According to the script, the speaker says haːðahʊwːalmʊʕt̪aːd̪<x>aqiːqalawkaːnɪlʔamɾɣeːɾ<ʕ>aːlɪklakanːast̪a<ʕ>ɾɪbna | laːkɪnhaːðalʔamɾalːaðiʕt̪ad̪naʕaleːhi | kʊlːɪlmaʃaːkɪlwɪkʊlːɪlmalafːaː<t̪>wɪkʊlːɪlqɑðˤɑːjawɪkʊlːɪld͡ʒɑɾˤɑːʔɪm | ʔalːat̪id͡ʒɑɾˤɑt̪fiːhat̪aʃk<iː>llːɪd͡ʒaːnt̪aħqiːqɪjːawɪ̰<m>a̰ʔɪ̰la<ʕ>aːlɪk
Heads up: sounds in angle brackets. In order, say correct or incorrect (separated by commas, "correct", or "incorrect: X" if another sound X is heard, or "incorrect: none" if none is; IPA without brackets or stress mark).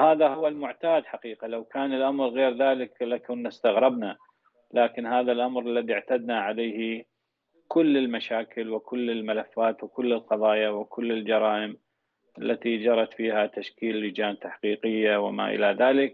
incorrect: ħ, incorrect: ð, incorrect: ɣ, correct, correct, correct, incorrect: ð